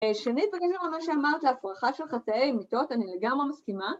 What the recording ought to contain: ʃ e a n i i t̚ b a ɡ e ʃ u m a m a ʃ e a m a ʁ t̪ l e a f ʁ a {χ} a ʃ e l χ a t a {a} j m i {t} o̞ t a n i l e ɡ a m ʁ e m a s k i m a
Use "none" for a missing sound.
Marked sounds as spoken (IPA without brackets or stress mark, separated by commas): χ, e, t